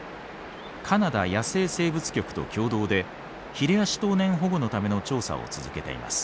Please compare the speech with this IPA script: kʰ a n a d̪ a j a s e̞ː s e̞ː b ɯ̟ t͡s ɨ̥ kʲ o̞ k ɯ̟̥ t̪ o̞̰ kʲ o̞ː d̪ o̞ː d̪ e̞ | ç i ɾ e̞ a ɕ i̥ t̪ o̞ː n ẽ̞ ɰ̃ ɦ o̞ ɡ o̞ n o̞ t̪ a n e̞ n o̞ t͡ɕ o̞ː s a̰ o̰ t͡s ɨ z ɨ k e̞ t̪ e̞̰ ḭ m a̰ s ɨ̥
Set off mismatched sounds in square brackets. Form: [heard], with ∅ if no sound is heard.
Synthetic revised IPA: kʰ a n a d̪ a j a s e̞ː s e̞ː b ɯ̟ t͡s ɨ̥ kʲ o̞ k ɯ̟̥ t̪ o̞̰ kʲ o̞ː d̪ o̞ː d̪ e̞ | ç i ɾ e̞ a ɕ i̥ t̪ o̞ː n ẽ̞ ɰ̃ ɦ o̞ ɡ o̞ n o̞ t̪ a [m] e̞ n o̞ t͡ɕ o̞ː s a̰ o̰ t͡s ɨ z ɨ k e̞ t̪ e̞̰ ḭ m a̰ s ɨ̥